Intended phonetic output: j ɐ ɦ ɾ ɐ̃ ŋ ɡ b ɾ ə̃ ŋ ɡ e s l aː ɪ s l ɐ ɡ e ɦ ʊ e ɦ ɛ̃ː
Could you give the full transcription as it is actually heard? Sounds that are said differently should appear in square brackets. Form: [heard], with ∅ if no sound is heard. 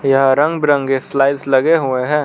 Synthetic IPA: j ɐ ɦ ɾ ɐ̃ ŋ ɡ b ɾ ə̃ ŋ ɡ e s l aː ɪ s l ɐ ɡ e ɦ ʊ e ɦ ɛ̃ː